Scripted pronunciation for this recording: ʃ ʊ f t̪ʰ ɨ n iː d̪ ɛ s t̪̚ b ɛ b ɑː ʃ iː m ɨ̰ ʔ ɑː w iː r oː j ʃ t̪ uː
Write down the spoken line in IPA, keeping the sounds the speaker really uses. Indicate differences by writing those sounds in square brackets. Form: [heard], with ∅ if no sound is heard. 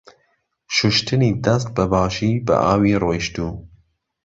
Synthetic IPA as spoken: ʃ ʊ [ʃ] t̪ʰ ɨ n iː d̪ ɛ s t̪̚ b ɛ b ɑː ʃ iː [b] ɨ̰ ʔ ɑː w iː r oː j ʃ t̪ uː